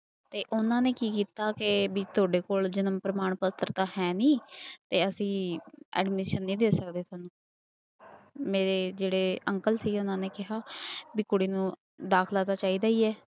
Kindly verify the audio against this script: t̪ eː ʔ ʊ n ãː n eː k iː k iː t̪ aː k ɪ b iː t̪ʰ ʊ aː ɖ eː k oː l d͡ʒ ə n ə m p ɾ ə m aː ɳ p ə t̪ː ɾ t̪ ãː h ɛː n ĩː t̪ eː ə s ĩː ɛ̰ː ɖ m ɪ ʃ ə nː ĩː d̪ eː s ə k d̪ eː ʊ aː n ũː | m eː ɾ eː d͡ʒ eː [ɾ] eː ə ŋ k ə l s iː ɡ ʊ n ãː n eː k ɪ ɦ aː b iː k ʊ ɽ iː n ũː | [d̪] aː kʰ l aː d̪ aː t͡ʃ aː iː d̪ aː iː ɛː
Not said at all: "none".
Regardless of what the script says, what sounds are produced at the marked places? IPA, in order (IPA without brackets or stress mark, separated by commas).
ɽ, d̪